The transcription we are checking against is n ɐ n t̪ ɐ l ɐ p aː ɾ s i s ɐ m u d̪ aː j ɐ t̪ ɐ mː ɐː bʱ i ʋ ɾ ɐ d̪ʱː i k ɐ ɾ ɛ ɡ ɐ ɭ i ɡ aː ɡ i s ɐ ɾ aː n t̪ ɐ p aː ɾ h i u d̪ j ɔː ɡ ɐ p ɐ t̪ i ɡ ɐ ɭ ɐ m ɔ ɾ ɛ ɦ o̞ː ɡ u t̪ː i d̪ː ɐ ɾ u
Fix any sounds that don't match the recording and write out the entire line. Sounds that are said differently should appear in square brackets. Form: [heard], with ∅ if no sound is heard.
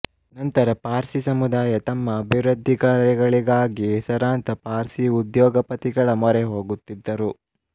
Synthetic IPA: n ɐ n t̪ ɐ [ɾ] ɐ p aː ɾ s i s ɐ m u d̪ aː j ɐ t̪ ɐ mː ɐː bʱ i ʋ ɾ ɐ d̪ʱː i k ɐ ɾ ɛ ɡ ɐ ɭ i ɡ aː ɡ i s ɐ ɾ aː n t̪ ɐ p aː ɾ [s] i u d̪ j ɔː ɡ ɐ p ɐ t̪ i ɡ ɐ ɭ ɐ m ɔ ɾ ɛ ɦ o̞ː ɡ u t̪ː i d̪ː ɐ ɾ u